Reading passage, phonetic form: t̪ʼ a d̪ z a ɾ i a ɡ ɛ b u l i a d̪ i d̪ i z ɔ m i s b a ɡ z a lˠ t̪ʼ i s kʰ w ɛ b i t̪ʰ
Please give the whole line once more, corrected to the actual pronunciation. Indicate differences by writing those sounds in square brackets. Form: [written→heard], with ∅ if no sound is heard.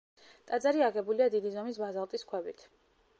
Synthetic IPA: t̪ʼ a d̪ z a ɾ i a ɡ ɛ b u l i a d̪ i d̪ i z ɔ m i s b a [ɡ→∅] z a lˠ t̪ʼ i s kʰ w ɛ b i t̪ʰ